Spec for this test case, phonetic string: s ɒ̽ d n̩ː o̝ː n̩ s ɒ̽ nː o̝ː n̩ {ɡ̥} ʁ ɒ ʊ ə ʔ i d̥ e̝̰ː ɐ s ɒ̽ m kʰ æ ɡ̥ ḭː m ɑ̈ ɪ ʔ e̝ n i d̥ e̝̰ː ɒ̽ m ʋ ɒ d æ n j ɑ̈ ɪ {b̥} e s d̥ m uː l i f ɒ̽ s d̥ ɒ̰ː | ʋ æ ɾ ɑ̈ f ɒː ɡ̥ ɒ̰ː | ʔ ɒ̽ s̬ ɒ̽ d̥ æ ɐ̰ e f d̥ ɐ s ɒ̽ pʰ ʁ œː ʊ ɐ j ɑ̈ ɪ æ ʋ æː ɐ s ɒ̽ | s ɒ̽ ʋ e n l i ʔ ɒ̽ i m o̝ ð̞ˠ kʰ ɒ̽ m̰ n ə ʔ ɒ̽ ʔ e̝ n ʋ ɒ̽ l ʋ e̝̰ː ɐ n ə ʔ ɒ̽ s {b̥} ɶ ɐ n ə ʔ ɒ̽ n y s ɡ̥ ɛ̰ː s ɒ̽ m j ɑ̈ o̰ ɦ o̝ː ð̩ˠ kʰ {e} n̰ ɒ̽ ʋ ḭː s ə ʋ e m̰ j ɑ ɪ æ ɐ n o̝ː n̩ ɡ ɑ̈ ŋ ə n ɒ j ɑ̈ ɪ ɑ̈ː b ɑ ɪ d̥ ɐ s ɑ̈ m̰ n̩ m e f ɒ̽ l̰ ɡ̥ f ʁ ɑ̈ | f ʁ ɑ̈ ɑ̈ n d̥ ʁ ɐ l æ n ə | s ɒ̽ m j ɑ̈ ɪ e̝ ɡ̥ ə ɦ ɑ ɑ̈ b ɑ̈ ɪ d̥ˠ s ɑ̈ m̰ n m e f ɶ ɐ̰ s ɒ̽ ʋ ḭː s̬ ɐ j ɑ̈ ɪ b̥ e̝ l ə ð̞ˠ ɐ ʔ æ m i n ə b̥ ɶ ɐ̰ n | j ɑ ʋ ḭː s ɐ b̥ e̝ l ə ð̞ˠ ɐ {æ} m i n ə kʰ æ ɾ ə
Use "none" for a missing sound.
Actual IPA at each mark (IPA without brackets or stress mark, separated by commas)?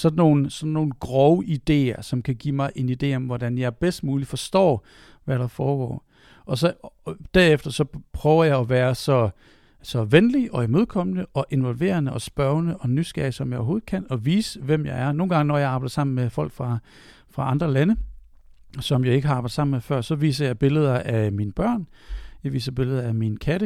ɡ̥, b̥, b̥, æ, æ